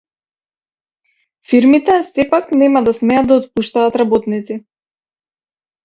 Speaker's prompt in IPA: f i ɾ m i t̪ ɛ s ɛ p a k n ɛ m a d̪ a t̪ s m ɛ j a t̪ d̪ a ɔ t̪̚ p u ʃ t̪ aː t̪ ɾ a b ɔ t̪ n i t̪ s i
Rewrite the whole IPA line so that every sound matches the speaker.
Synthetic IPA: f i ɾ m i t̪ ɛ s ɛ p a k n ɛ m a d̪ a s m ɛ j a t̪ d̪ a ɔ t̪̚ p u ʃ t̪ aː t̪ ɾ a b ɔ t̪ n i t̪ s i